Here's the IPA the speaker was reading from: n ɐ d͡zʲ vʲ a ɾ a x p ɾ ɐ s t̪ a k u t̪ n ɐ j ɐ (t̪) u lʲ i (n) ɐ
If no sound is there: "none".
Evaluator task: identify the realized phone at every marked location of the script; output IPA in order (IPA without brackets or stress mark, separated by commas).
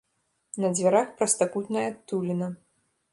t̪, n